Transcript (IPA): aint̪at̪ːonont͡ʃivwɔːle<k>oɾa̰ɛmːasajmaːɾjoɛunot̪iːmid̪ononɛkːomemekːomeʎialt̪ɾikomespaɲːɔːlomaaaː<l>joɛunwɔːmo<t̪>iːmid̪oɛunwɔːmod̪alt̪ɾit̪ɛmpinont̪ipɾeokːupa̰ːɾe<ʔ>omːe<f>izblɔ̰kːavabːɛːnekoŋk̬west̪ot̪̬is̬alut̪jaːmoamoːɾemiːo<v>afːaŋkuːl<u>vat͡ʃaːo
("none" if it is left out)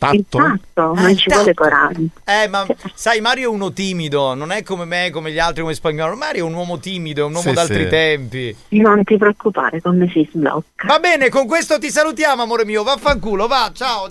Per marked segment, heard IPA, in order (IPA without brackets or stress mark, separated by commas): k, ɾ, t̪, k, s, v, o